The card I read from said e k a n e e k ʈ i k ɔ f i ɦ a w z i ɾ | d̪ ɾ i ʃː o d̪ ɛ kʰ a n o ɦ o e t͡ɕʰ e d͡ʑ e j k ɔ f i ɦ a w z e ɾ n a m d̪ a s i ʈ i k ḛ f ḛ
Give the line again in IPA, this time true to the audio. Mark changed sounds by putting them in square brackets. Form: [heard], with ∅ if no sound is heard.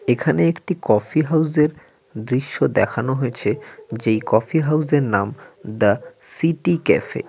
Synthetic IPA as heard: e [kʰ] a n e e k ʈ i k ɔ f i ɦ a w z [e] ɾ | d̪ ɾ i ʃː o d̪ ɛ kʰ a n o ɦ o e t͡ɕʰ e d͡ʑ e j k ɔ f i ɦ a w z e ɾ n a m d̪ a s i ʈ i k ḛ f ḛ